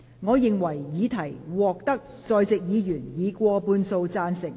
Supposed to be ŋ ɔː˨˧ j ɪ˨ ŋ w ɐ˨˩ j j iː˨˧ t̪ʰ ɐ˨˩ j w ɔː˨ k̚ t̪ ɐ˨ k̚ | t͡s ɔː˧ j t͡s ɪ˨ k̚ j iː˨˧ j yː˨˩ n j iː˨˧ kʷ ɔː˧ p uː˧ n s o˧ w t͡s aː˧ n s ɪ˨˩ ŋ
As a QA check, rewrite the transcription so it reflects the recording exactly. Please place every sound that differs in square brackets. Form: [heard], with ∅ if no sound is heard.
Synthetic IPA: ŋ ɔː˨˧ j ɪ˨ ŋ w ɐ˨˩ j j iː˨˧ t̪ʰ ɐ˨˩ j w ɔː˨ k̚ t̪ [ɐ˥] k̚ | t͡s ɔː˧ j t͡s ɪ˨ k̚ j iː˨˧ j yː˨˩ n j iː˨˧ kʷ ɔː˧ p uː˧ n s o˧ w t͡s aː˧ n s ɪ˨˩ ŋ